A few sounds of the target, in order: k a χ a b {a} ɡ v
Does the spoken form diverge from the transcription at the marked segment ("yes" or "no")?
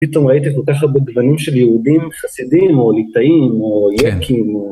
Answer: yes